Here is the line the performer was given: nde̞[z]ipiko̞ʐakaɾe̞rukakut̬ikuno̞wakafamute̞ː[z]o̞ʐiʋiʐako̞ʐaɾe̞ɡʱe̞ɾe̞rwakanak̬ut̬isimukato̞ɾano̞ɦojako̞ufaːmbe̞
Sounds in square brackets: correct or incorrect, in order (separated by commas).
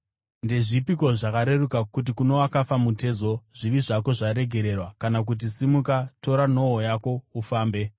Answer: incorrect, correct